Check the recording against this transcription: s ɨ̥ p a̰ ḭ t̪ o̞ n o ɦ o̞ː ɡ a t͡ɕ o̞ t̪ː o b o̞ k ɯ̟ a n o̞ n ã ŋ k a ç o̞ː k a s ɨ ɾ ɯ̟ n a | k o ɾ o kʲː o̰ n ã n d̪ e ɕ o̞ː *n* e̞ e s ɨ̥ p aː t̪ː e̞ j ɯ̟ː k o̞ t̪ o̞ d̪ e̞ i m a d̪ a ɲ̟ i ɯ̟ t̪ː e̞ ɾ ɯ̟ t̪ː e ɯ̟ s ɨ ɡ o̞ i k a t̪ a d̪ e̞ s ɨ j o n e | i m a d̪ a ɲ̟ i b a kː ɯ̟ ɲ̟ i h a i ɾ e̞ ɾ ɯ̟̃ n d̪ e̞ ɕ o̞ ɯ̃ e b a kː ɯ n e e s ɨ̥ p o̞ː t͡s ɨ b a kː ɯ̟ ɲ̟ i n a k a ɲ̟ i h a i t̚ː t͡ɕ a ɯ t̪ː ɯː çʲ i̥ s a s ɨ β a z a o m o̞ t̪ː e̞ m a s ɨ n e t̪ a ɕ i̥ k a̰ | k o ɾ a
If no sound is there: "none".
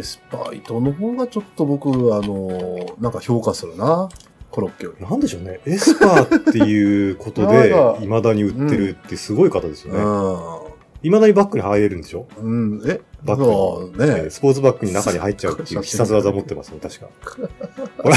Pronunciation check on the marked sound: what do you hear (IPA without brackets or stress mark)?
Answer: n